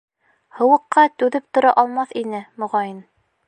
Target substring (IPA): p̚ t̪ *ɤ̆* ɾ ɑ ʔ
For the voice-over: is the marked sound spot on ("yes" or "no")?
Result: no